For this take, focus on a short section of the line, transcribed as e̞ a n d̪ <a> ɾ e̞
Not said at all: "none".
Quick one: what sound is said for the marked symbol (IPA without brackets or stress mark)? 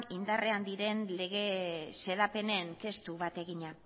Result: i